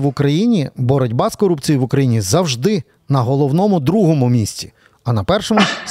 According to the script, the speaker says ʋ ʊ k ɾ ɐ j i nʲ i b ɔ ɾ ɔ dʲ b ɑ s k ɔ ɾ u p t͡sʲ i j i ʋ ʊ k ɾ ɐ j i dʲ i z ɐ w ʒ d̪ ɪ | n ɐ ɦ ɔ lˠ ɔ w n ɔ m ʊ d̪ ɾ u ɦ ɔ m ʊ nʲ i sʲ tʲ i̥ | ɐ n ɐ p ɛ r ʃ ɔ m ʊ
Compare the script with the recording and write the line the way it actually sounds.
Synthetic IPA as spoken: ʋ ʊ k ɾ ɐ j i nʲ i b ɔ ɾ ɔ dʲ b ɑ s k ɔ ɾ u p t͡sʲ i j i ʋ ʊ k ɾ ɐ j i nʲ i z ɐ w ʒ d̪ ɪ | n ɐ ɦ ɔ lˠ ɔ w n ɔ m ʊ d̪ ɾ u ɦ ɔ m ʊ mʲ i sʲ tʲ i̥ | ɐ n ɐ p ɛ r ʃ ɔ m ʊ